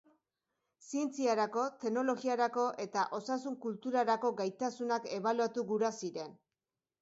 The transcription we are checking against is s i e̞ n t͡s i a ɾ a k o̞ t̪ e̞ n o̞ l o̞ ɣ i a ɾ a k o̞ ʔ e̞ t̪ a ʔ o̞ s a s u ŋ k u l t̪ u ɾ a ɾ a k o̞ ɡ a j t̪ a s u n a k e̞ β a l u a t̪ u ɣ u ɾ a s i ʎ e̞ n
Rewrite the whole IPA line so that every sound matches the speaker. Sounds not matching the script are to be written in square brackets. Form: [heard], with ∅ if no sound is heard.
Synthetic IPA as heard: s i e̞ n t͡s i a ɾ a k o̞ t̪ e̞ n o̞ l o̞ ɣ i a ɾ a k o̞ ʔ e̞ t̪ a ʔ o̞ s a s u ŋ k u l t̪ u ɾ a ɾ a k o̞ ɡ a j t̪ a s u n a k e̞ β a l u a t̪ u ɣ u ɾ a s i [ɾ] e̞ n